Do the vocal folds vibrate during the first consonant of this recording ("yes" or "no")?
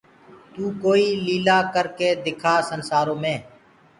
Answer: no